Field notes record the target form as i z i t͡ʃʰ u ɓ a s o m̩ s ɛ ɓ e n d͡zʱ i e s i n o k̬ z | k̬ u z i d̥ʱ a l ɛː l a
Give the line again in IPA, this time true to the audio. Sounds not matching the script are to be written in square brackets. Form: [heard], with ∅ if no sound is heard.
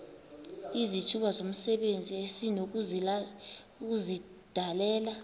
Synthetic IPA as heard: i z i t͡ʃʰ u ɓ a [z] o m̩ s ɛ ɓ e n d͡zʱ i e s i n o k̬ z | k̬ u z i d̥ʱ a l ɛː l a